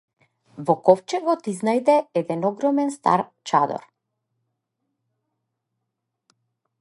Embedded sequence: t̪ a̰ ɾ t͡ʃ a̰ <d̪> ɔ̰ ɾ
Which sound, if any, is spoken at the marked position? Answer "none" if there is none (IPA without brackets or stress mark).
d̪